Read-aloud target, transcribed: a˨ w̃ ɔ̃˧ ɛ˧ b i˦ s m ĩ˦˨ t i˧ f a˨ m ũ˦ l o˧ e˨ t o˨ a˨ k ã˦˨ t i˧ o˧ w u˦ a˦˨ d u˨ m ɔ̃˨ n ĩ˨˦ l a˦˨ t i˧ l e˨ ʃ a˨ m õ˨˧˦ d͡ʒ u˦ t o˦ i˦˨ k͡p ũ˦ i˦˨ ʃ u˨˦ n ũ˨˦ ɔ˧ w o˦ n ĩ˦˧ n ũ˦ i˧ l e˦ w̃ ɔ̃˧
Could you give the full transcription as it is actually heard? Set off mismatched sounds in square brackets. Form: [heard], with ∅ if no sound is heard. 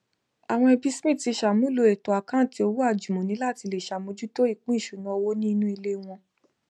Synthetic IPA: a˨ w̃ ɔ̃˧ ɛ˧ b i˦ s m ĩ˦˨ t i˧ [ʃ] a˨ m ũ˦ l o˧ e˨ t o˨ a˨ k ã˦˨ t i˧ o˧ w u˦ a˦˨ [d͡ʒ] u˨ m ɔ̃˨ n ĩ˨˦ l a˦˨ t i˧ l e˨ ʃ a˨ m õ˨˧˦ d͡ʒ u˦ t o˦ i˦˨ k͡p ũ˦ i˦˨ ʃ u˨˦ n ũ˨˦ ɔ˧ w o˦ n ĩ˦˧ n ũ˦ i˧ l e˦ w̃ ɔ̃˧